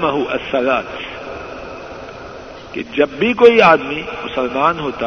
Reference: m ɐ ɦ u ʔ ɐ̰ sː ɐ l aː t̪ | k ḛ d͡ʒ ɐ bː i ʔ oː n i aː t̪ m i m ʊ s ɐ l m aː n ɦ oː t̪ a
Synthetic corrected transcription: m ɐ ɦ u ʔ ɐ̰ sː ɐ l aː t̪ | k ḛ d͡ʒ ɐ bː i k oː i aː d̪ m i m ʊ s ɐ l m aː n ɦ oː t̪ a